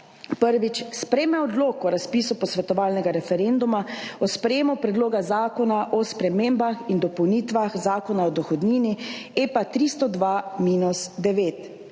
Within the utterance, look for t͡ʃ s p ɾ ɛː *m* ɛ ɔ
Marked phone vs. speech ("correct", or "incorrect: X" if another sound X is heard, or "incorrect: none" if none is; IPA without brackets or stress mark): correct